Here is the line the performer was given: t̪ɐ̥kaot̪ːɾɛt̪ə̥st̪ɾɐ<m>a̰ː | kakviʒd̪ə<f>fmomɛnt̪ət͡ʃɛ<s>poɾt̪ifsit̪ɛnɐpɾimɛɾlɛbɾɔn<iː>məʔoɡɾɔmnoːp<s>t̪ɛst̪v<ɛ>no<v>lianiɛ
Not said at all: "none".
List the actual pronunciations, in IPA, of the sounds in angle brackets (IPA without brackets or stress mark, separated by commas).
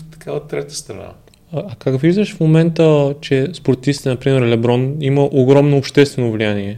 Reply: n, ʃ, s, i, ʃ, ɛ, v